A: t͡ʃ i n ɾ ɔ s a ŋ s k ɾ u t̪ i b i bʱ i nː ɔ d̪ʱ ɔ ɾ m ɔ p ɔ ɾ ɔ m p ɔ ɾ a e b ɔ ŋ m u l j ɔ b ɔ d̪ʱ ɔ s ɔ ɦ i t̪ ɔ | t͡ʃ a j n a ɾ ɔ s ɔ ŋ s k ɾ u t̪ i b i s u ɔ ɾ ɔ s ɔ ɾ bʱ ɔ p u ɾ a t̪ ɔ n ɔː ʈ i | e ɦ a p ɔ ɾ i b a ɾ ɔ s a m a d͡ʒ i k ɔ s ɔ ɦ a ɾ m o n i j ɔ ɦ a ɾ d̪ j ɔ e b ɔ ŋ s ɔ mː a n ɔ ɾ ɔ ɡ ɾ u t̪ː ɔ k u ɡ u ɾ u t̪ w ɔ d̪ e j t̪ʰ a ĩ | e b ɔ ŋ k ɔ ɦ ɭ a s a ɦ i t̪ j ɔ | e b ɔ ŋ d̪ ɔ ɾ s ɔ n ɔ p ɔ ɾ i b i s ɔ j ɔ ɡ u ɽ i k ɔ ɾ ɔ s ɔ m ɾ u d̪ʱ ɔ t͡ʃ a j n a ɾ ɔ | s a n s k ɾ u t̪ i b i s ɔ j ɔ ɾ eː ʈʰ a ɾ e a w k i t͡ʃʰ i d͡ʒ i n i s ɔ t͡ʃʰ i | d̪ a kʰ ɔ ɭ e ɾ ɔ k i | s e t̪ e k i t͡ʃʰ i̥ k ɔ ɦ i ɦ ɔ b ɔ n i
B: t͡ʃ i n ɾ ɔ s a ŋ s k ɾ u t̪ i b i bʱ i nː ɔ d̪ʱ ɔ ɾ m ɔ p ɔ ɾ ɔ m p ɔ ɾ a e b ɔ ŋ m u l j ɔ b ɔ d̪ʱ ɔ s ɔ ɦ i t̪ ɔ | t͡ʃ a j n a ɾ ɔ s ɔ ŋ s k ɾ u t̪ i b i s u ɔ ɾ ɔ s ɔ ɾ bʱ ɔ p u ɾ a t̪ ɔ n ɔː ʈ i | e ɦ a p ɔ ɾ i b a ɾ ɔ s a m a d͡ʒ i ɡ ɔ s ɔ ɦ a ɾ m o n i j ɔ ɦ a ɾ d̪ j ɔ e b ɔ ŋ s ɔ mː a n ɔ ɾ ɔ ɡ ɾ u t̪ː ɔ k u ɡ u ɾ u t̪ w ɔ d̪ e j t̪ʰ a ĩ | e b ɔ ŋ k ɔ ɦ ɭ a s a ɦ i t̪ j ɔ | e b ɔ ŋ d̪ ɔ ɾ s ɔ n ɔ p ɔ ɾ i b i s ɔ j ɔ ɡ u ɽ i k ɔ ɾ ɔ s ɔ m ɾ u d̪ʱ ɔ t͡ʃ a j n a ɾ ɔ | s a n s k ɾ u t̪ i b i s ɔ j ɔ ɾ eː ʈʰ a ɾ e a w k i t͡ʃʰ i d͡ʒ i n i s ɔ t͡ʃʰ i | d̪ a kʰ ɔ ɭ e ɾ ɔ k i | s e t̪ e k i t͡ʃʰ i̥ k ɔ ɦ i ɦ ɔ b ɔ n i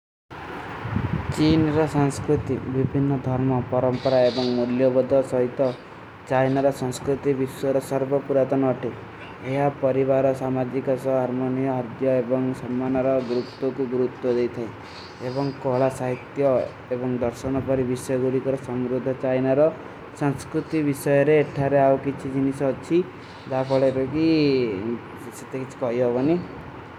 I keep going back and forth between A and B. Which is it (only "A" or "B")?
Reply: A